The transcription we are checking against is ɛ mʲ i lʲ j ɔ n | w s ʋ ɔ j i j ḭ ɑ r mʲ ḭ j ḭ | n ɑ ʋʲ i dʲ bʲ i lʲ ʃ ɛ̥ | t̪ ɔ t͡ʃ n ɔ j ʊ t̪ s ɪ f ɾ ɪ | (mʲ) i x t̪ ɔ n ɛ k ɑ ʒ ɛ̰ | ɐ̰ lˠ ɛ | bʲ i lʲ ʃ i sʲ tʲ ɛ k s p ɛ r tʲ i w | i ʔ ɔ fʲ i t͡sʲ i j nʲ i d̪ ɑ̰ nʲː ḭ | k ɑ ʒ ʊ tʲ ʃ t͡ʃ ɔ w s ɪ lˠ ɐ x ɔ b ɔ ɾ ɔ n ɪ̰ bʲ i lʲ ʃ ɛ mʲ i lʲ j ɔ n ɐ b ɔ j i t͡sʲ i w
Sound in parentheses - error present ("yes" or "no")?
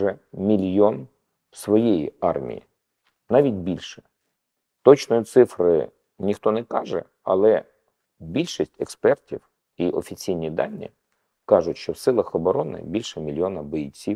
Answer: yes